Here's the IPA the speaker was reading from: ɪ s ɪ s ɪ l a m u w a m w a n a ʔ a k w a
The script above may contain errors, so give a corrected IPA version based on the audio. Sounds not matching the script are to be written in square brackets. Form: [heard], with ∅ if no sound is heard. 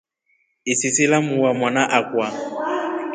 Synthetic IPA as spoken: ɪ s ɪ s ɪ l a m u w a m w a n a ʔ a k w a